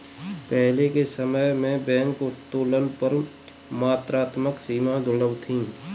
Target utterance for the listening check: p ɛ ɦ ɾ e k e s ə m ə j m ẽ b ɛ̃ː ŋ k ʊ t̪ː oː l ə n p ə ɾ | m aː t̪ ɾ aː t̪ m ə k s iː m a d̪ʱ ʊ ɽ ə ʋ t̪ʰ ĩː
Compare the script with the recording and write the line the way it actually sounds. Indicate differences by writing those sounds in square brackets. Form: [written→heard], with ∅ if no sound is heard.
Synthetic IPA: p ɛ ɦ [ɾ→l] e k e s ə m ə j m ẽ b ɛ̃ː ŋ k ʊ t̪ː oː l ə n p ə ɾ | m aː t̪ ɾ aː t̪ m ə k s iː m a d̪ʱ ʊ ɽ ə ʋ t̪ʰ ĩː